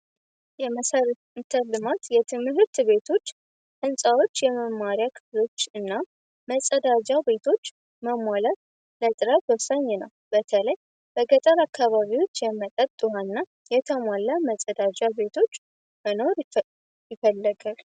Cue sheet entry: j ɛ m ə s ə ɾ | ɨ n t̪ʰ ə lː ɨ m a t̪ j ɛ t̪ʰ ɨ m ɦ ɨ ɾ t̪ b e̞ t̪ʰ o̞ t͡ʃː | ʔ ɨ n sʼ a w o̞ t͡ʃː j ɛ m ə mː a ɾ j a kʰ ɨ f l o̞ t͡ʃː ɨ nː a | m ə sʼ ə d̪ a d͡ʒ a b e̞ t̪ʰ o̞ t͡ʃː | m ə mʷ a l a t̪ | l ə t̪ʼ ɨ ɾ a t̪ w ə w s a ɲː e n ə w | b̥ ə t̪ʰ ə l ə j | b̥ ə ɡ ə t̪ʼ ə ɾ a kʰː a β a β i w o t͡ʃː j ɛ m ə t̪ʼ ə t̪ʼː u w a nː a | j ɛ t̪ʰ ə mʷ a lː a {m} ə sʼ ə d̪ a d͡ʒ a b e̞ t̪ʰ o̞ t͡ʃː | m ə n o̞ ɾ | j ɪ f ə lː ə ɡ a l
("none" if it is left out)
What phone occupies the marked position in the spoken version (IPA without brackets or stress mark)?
m